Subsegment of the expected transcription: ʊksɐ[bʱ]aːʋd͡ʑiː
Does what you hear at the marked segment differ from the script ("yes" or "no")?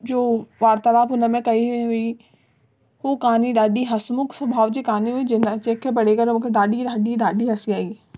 no